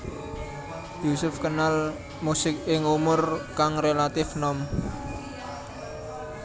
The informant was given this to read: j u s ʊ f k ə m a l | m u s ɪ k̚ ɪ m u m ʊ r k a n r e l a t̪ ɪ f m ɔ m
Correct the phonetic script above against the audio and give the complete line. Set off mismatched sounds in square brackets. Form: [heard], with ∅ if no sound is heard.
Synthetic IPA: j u s ʊ f k ə [n] a l | m u s ɪ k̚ ɪ [ŋ] u m ʊ r k a [ŋ] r e l a t̪ ɪ f [n] ɔ m